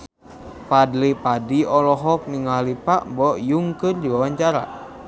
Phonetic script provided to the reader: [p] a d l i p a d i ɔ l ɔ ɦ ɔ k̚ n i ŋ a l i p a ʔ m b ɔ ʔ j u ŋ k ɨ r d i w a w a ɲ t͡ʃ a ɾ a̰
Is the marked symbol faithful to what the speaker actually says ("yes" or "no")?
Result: yes